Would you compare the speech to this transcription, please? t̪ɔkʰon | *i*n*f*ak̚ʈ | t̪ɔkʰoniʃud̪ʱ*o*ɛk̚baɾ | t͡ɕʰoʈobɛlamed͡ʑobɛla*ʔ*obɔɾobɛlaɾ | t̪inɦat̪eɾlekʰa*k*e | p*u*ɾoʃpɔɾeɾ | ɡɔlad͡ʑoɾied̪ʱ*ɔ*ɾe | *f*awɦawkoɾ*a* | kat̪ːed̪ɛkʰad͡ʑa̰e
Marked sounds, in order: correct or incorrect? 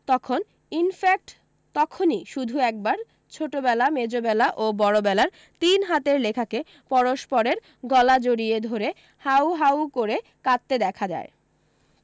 correct, correct, incorrect: u, correct, correct, incorrect: ɔ, incorrect: o, incorrect: h, incorrect: e

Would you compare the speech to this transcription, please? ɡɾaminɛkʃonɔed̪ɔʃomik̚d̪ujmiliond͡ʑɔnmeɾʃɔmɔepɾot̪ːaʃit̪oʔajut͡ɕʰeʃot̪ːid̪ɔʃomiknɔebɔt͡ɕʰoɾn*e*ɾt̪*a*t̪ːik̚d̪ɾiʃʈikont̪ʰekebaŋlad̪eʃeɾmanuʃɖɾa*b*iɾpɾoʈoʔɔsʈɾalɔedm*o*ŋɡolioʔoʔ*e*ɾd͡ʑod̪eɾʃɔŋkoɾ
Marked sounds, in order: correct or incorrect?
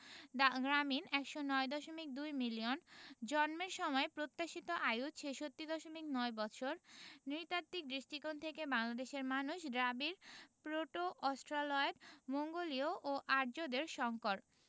incorrect: i, correct, correct, correct, incorrect: a

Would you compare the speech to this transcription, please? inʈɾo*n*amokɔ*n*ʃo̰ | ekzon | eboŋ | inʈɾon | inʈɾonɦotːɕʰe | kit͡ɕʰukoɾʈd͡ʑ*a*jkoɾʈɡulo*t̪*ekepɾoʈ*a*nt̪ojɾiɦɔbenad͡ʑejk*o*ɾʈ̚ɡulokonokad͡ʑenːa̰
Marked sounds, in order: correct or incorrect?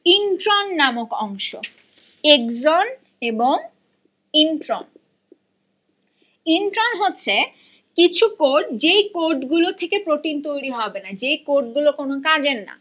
incorrect: nː, incorrect: ŋ, incorrect: e, incorrect: t̪ʰ, incorrect: i, correct

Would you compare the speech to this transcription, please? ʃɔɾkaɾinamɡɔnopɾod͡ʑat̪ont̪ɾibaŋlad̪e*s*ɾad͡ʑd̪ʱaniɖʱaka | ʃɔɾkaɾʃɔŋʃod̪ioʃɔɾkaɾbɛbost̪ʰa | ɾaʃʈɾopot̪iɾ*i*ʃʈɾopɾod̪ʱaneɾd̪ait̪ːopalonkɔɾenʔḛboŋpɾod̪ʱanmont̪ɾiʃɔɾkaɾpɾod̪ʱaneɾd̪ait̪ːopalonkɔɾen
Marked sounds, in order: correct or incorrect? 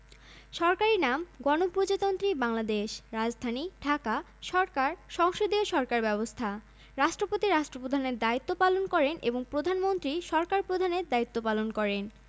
incorrect: ʃ, incorrect: a

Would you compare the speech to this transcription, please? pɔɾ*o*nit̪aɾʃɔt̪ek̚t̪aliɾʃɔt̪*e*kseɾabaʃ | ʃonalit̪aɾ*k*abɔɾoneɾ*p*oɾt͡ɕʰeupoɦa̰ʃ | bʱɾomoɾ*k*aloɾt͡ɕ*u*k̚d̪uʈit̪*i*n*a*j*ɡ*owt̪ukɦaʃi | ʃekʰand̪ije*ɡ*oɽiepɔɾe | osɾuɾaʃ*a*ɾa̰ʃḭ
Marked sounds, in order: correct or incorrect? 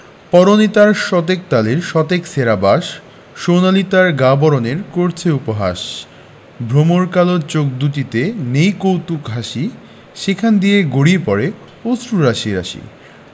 correct, correct, incorrect: ɡ, incorrect: k, correct, incorrect: o, incorrect: e, incorrect: e, incorrect: k, correct, incorrect: i

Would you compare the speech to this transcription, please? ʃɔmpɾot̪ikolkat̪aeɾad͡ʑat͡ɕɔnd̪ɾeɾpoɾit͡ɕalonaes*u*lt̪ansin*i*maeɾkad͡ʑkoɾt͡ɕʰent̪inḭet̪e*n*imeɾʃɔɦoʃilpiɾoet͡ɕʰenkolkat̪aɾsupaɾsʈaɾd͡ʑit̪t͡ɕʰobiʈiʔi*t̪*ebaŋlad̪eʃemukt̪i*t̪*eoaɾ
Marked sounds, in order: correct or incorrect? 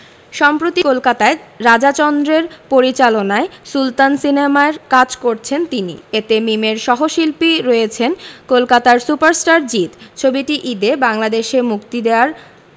correct, incorrect: e, incorrect: m, incorrect: d̪, incorrect: d̪

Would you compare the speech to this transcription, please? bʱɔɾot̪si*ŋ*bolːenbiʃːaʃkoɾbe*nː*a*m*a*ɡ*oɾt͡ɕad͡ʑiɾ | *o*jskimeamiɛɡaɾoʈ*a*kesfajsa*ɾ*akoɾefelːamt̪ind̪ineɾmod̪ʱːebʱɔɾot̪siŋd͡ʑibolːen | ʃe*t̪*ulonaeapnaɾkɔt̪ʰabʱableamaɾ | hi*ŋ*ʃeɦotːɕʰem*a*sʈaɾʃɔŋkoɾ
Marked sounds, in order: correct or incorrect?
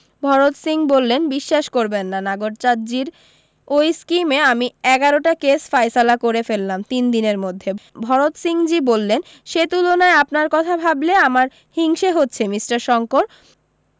correct, correct, incorrect: n, correct, correct, correct, incorrect: l, correct, correct, incorrect: i

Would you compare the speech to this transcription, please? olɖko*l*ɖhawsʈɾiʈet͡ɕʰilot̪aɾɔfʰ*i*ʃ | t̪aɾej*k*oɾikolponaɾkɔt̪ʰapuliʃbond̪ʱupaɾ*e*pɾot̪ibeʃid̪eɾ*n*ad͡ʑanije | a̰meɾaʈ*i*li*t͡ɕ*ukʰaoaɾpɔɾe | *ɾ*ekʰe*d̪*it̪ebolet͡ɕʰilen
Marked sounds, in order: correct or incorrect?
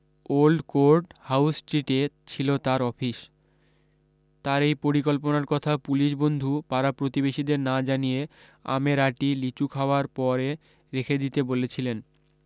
incorrect: ɾ, correct, incorrect: p, incorrect: a, correct, correct, correct, correct, correct

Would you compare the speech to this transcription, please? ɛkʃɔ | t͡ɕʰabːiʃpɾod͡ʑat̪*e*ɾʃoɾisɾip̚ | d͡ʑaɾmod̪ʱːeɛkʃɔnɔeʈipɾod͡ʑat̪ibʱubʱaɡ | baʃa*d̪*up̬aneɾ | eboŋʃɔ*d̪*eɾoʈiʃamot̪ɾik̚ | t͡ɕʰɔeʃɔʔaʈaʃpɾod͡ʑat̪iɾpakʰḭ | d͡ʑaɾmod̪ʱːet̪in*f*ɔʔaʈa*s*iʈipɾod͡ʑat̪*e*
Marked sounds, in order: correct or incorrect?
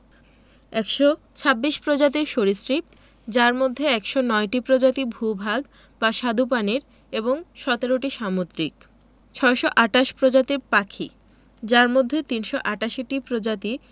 incorrect: i, correct, incorrect: t̪, incorrect: ʃ, incorrect: ʃ, incorrect: i

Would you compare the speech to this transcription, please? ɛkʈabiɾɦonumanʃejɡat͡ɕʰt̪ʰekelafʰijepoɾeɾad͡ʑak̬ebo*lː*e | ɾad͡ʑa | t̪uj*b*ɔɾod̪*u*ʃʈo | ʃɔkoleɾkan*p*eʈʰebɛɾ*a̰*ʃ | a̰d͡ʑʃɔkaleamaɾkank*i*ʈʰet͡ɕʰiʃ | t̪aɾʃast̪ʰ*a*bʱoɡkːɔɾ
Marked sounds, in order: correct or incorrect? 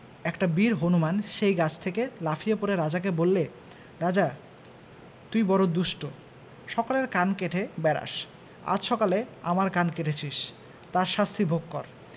correct, correct, correct, incorrect: k, correct, incorrect: e, incorrect: i

